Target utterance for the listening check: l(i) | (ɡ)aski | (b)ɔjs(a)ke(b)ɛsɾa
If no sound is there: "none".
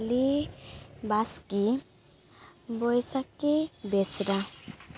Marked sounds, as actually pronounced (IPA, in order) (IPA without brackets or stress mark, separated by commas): i, b, b, a, b